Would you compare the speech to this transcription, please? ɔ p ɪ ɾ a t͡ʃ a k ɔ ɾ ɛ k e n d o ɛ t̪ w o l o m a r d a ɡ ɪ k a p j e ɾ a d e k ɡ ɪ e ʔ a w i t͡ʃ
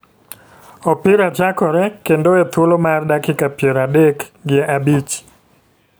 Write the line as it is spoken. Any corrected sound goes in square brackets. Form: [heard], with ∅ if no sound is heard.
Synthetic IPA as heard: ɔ p ɪ ɾ a t͡ʃ a k ɔ ɾ ɛ k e n d o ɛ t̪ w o l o m a r d a [k] ɪ k a p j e ɾ a d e k ɡ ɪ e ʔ a [b] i t͡ʃ